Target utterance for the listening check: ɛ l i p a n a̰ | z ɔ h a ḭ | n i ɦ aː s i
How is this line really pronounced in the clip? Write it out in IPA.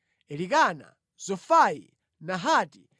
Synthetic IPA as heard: ɛ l i k a n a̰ | z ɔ f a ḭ | n a ɦ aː t i

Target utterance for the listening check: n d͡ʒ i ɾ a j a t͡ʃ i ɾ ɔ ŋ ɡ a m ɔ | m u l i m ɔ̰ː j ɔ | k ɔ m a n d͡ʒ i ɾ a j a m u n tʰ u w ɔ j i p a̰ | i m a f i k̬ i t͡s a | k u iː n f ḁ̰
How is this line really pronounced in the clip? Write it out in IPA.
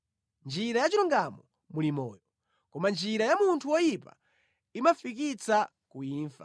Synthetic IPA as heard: n d͡ʒ i ɾ a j a t͡ʃ i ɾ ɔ ŋ ɡ a m ɔ | m u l i m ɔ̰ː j ɔ | k ɔ m a n d͡ʒ i ɾ a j a m u n tʰ u w ɔ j i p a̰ | i m a f i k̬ i t͡s a | k u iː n f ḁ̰

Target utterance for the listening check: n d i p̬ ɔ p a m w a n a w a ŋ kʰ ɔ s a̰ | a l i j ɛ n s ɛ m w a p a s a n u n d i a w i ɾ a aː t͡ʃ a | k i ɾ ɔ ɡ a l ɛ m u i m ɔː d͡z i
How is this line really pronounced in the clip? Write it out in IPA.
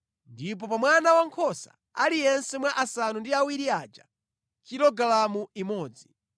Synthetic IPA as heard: n d i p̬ ɔ p a m w a n a w a ŋ kʰ ɔ s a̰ | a l i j ɛ n s ɛ m w a ʔ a s a n u n d i a w i ɾ i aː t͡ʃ a | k i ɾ ɔ ɡ a l a m u i m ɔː d͡z i

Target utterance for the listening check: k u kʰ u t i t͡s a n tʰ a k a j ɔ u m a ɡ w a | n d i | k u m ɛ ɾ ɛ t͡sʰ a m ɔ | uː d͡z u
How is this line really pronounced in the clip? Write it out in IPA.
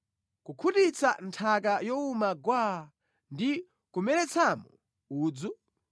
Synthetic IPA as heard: k u kʰ u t i t͡s a n tʰ a k a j ɔ u m a ɡ w a | n d i | k u m ɛ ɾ ɛ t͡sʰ a m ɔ | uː d͡z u

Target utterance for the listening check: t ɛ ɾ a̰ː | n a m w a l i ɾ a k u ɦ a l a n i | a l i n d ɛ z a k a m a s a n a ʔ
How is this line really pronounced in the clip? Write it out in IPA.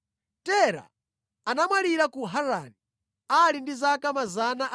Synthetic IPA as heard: t ɛ ɾ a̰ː | n a m w a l i ɾ a k u ɦ a ɾ a n i | a l i n d i z a k a m a z a n a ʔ

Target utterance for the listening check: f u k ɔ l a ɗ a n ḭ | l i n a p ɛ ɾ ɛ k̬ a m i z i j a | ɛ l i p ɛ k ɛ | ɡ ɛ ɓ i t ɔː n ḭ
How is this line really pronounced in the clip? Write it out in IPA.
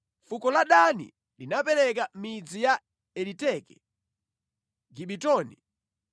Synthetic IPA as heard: f u k ɔ l a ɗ a n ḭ | l i n a p ɛ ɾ ɛ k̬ a m i d͡z i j a | ɛ l i t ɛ k ɛ | ɡ i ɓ i t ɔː n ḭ

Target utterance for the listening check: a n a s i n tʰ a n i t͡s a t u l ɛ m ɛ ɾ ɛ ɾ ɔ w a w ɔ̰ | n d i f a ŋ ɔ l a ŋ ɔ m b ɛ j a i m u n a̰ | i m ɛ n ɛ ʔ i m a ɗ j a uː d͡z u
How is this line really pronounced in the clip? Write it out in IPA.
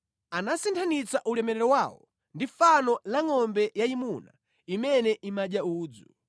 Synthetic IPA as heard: a n a s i n tʰ a n i t͡s a ʔ u l ɛ m ɛ ɾ ɛ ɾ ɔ w a w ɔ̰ | n d i f a n ɔ l a ŋ ɔ m b ɛ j a i m u n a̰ | i m ɛ n ɛ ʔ i m a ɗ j a uː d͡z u

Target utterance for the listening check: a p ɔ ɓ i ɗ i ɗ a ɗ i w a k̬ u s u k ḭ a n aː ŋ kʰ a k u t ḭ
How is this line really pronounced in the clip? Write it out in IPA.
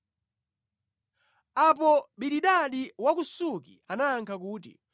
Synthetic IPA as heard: a p ɔ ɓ i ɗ i ɗ a ɗ i w a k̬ u s u k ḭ a n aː ŋ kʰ a k uː t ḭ

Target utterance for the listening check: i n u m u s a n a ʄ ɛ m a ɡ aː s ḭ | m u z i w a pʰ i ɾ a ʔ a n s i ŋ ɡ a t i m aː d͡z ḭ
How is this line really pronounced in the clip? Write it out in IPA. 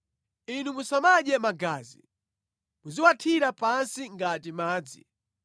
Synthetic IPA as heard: i n u m u s a m a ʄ ɛ m a ɡ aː z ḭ | m u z i w a tʰ i ɾ a p a n s i ŋ ɡ a t i m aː d͡z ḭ

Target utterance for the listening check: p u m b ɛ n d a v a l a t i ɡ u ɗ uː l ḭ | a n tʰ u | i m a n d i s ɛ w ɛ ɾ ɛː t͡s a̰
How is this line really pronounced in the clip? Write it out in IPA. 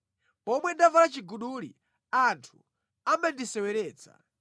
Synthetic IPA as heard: p ɔ m w ɛ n d a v a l a t͡ʃ i ɡ u ɗ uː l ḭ | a n tʰ u | a m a n d i s ɛ w ɛ ɾ ɛː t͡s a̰

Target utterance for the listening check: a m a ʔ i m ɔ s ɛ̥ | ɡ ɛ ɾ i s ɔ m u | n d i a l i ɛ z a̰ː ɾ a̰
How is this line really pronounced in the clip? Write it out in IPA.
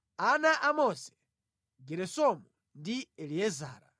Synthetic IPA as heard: a n a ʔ a m ɔ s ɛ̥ | ɡ ɛ ɾ ɛ s ɔ m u | n d i ɛ l i ɛ z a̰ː ɾ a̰

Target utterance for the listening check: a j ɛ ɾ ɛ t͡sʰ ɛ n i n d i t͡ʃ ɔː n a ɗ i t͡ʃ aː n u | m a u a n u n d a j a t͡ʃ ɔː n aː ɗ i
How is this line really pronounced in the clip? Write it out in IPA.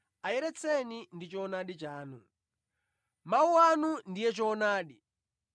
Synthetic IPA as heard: a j ɛ ɾ ɛ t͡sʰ ɛ n i n d i t͡ʃ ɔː n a ɗ i t͡ʃ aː n u | m a u a n u n d i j ɛ t͡ʃ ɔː n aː ɗ i

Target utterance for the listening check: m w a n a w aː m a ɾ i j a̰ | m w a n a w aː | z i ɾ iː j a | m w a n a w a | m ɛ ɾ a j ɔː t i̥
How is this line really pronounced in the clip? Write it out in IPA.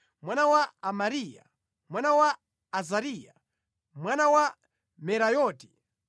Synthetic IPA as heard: m w a n a w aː m a ɾ i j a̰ | m w a n a w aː | z a ɾ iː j a | m w a n a w a | m ɛ ɾ a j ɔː t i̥

